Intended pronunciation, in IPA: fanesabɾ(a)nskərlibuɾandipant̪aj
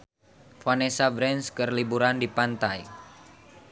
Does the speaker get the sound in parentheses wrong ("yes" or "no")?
yes